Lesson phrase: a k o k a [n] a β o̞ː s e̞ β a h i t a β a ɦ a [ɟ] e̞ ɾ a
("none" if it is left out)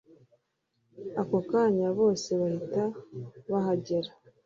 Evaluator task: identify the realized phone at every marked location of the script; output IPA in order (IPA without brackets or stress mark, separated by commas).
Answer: ɲ, ɟ